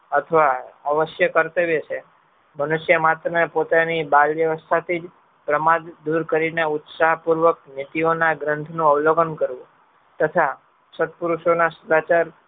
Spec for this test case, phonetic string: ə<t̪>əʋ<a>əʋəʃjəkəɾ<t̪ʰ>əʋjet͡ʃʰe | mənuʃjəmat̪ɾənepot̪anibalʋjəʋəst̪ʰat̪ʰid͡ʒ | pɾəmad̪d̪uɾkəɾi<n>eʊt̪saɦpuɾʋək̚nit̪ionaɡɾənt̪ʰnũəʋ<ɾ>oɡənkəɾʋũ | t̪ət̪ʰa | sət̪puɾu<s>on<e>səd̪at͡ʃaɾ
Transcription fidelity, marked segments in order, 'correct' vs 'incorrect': incorrect, correct, incorrect, correct, incorrect, incorrect, incorrect

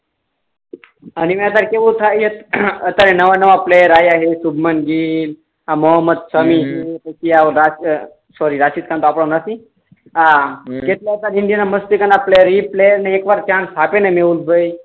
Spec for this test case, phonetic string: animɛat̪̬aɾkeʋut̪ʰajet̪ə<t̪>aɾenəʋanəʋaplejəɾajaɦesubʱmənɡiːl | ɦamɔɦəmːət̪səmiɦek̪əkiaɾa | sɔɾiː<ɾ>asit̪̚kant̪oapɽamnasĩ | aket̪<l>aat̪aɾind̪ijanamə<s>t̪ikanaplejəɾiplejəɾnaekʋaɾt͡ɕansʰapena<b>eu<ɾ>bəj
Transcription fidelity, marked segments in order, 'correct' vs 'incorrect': correct, correct, correct, correct, incorrect, incorrect

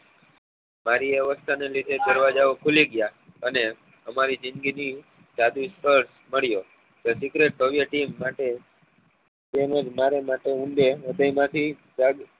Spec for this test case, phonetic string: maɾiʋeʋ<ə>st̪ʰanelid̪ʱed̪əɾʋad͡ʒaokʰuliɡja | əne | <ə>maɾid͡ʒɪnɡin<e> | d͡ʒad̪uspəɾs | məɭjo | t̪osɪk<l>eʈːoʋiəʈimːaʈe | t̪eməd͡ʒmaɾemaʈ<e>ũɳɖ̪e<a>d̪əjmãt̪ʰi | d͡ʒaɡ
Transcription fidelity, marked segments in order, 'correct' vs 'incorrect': correct, correct, incorrect, incorrect, correct, incorrect

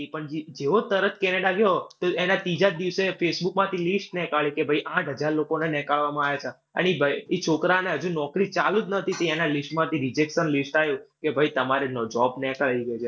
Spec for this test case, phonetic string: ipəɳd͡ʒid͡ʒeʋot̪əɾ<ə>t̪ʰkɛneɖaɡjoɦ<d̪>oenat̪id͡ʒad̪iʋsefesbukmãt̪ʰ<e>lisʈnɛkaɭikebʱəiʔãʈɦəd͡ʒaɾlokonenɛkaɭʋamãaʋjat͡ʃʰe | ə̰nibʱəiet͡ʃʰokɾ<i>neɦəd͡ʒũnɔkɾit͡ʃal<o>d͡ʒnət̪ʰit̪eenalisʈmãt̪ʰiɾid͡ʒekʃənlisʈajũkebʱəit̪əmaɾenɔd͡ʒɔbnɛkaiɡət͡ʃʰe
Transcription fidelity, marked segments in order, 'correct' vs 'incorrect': correct, incorrect, incorrect, incorrect, incorrect

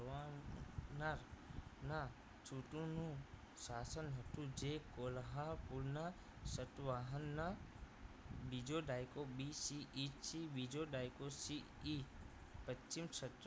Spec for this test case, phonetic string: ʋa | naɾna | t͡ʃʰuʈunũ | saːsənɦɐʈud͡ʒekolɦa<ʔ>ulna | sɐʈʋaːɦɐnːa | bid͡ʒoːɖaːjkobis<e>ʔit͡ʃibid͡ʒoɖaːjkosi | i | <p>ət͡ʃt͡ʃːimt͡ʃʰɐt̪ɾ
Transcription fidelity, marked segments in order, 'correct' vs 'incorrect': incorrect, incorrect, correct

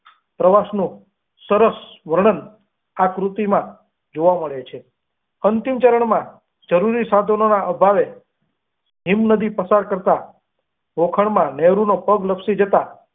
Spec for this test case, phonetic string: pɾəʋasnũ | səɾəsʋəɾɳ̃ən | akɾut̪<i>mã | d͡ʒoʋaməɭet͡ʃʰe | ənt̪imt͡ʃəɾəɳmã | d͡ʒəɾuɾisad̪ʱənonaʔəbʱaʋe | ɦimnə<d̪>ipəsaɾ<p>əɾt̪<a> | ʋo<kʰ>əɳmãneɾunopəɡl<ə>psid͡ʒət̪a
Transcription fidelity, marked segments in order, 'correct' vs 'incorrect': correct, correct, incorrect, correct, correct, correct

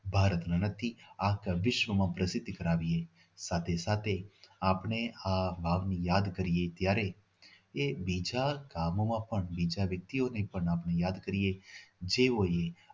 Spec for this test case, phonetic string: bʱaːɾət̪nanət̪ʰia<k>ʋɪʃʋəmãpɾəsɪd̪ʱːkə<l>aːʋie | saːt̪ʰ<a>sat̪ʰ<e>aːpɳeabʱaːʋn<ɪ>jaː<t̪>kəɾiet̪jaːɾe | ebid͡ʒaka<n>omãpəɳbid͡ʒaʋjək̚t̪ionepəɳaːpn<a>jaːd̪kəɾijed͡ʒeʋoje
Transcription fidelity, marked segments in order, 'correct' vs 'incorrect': correct, incorrect, incorrect, correct, incorrect, incorrect, incorrect, incorrect

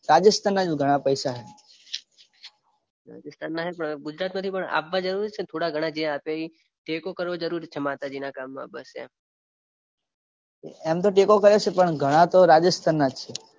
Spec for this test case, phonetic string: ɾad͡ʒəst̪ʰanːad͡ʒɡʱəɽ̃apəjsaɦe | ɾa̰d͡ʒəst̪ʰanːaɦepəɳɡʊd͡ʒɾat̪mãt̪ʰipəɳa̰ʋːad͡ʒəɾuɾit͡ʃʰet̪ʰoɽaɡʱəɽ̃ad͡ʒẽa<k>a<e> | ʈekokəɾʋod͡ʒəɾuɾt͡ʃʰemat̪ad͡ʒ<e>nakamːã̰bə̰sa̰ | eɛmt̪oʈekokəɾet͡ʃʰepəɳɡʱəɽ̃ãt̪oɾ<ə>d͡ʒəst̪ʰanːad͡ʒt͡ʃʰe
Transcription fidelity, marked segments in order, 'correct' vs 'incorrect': incorrect, incorrect, incorrect, incorrect

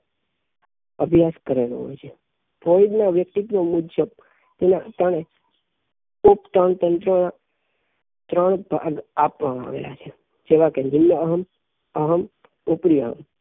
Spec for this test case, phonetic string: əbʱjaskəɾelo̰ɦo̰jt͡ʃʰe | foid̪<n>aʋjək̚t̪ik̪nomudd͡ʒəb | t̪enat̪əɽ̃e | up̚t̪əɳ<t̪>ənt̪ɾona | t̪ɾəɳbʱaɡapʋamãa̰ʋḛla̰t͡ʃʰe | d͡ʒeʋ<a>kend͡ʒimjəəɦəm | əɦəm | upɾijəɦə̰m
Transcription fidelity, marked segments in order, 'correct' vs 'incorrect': correct, correct, correct

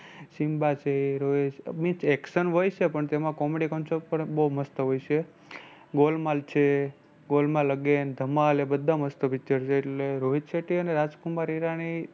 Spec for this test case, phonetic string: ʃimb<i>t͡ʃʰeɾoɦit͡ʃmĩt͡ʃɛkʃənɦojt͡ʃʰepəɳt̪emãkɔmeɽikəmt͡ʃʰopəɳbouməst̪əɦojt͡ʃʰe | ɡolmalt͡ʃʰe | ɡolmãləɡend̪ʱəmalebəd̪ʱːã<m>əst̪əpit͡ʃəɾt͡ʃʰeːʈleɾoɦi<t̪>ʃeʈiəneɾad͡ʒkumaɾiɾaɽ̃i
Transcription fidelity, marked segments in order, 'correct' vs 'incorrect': incorrect, correct, correct

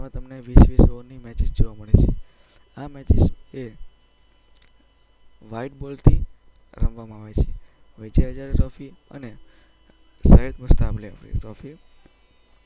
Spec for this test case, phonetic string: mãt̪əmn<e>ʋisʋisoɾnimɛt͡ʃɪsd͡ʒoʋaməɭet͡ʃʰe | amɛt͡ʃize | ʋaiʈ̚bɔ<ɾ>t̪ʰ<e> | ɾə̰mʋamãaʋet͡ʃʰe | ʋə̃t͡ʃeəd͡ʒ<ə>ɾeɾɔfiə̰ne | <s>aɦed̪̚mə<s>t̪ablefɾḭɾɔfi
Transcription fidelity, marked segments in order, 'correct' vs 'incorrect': correct, incorrect, incorrect, incorrect, correct, correct

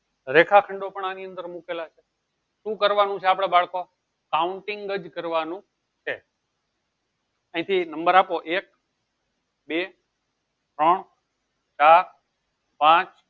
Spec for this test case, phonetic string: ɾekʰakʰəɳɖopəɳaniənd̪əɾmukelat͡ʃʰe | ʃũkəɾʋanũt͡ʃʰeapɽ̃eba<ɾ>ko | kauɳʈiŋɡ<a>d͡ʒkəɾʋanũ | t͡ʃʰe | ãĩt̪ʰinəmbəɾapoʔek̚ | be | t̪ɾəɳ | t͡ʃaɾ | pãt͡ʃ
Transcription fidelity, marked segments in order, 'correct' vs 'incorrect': incorrect, incorrect

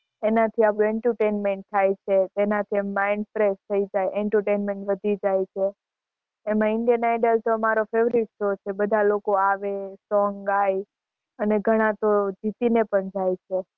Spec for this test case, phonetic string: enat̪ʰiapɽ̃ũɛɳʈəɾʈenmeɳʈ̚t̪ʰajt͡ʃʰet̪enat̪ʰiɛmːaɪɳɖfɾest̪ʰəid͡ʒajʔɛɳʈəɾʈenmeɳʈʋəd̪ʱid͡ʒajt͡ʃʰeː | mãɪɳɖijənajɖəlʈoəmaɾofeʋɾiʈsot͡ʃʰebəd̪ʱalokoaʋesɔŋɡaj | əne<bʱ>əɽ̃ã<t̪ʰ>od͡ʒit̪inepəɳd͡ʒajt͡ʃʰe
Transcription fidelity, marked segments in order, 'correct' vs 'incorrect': incorrect, incorrect

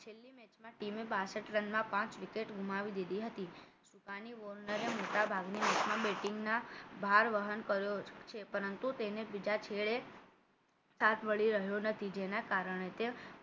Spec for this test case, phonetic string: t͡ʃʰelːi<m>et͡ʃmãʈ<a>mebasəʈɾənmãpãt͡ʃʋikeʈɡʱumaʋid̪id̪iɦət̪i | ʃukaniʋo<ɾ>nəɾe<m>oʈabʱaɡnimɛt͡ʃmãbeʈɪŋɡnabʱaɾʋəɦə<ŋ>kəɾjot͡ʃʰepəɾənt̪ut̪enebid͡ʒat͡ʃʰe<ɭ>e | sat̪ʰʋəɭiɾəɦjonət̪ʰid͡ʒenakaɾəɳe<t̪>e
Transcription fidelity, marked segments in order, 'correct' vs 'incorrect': correct, incorrect, correct, correct, incorrect, correct, correct

